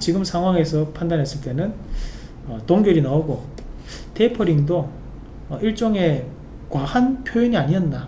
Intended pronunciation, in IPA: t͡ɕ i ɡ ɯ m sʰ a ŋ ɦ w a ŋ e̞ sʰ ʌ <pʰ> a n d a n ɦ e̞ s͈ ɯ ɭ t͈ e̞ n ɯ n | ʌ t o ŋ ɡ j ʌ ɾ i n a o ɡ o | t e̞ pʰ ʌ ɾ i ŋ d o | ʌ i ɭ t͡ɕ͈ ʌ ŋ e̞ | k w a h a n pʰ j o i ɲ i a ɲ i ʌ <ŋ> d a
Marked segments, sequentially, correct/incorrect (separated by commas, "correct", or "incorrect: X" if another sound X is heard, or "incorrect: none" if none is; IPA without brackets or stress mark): correct, incorrect: n